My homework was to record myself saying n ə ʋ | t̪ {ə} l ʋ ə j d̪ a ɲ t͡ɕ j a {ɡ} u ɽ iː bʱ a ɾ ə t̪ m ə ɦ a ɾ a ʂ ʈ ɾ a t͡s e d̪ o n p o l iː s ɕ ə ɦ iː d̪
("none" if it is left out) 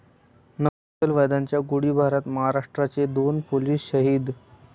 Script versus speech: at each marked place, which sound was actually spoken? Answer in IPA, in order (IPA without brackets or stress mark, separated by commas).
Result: ə, ɡ